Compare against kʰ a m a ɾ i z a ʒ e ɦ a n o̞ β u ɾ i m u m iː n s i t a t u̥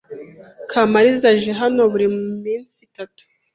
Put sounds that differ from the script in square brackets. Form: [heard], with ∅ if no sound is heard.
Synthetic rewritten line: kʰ a m a ɾ i z a ʒ e ɦ a n o̞ β u ɾ i m u m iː n s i t a t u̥